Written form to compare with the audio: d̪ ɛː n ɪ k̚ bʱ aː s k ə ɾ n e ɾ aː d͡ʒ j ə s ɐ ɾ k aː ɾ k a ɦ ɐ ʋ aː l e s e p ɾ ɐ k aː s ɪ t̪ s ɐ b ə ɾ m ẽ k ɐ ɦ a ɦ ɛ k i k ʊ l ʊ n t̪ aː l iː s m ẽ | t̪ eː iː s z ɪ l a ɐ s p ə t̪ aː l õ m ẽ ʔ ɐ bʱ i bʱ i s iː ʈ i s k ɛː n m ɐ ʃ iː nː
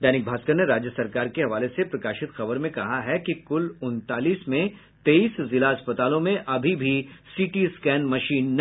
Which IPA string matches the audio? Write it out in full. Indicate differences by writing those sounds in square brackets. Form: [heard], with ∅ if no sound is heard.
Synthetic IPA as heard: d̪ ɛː n ɪ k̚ bʱ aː s k ə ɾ n e ɾ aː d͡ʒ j ə s ɐ ɾ k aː ɾ k [e] ɦ ɐ ʋ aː l e s e p ɾ ɐ k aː [ʃ] ɪ t̪ [x] ɐ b ə ɾ m ẽ k ɐ ɦ a ɦ ɛ k i k ʊ l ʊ n t̪ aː l iː s m ẽ | t̪ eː iː s z ɪ l a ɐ s p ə t̪ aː l õ m ẽ ʔ ɐ bʱ i bʱ i s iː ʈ i s k ɛː n m ɐ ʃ iː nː